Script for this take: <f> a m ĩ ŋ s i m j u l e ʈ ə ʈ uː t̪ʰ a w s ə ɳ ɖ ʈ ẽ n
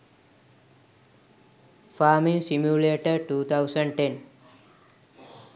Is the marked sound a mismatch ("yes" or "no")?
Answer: no